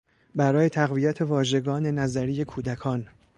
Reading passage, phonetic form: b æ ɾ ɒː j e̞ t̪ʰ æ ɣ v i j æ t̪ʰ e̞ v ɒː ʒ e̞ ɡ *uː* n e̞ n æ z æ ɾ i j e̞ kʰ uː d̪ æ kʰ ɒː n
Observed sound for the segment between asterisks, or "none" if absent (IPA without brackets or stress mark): ɒː